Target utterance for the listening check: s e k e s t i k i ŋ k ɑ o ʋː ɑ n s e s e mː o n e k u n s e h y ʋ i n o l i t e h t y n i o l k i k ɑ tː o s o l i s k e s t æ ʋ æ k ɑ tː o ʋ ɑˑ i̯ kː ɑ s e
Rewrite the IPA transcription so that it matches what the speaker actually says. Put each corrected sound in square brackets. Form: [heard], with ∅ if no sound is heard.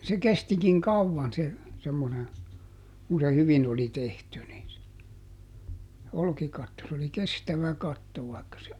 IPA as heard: s e k e s t i k i ŋ k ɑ [u] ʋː ɑ n s e s e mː o n e k u n s e h y ʋ i n o l i t e h t y n i o l k i k ɑ tː o s o l i [∅] k e s t æ ʋ æ k ɑ tː o ʋ ɑˑ i̯ kː ɑ s e